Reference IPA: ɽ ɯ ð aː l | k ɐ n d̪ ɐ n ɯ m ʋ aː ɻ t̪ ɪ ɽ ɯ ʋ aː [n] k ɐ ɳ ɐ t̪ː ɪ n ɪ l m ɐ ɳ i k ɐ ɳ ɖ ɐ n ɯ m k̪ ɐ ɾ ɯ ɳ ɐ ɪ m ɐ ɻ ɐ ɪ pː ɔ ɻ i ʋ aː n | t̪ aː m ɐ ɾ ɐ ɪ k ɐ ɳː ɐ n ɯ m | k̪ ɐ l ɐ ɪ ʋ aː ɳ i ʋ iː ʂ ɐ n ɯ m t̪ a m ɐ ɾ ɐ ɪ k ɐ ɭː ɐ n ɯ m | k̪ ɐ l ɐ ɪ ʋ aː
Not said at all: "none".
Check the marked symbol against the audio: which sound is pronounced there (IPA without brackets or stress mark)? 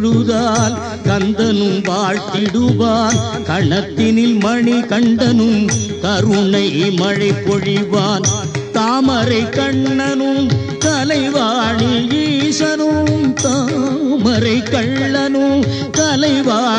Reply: n